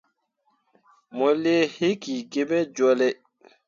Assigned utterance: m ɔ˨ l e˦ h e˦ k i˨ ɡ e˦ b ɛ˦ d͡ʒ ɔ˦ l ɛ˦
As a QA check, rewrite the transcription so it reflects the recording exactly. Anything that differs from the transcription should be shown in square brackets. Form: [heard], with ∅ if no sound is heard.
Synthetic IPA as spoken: m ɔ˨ l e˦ h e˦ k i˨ ɡ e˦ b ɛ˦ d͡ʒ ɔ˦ l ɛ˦